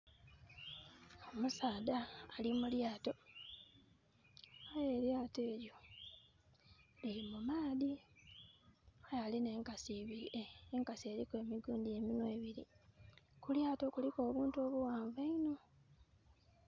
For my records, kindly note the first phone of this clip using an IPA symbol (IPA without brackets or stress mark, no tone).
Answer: o